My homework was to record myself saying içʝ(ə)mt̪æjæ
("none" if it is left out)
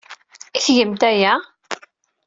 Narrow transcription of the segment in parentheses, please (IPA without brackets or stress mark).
ə